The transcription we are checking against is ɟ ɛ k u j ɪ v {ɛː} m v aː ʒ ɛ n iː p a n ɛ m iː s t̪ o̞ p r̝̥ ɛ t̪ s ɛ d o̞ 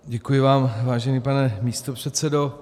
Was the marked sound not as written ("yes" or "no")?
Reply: yes